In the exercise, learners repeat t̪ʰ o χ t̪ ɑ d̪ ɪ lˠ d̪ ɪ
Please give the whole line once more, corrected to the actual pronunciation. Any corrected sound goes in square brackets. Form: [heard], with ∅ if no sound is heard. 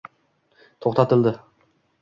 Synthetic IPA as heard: t̪ʰ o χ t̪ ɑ [t̪] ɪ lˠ d̪ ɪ